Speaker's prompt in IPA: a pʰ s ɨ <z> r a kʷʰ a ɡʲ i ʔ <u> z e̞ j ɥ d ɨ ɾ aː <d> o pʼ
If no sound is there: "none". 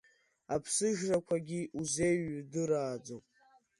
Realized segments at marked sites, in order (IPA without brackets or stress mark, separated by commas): ʒ, u, d͡z